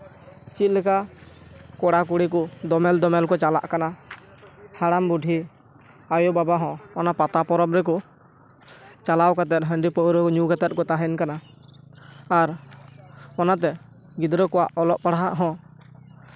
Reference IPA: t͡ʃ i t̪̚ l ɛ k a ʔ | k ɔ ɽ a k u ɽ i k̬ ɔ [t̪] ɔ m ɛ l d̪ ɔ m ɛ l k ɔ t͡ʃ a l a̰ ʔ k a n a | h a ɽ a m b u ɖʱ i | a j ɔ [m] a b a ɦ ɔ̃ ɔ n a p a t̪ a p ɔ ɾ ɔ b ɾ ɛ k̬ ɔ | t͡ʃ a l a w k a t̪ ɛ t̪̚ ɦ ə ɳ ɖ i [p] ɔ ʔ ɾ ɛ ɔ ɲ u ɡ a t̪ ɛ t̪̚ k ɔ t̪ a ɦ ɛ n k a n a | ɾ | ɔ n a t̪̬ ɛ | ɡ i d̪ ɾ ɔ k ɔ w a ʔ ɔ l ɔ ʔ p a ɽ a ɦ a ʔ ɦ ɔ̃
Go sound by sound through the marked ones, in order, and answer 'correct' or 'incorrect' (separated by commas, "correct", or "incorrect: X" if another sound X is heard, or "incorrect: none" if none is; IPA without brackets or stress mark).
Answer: incorrect: d̪, incorrect: b, correct